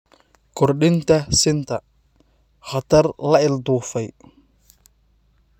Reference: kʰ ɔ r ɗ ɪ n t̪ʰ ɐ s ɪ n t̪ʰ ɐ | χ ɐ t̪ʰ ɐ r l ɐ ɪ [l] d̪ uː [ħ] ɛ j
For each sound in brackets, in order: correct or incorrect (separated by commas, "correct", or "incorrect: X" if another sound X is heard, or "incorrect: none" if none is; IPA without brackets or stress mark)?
correct, incorrect: f